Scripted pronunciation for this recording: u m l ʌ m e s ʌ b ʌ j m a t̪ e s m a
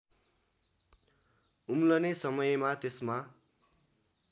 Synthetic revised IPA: u m l ʌ n e s ʌ m ʌ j m a t̪ e s m a